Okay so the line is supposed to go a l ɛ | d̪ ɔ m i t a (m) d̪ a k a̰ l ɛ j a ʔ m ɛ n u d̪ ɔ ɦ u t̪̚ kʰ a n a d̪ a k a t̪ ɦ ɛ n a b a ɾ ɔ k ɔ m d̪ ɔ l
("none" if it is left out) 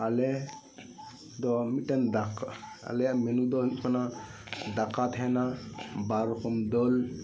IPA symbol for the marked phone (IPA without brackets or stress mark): n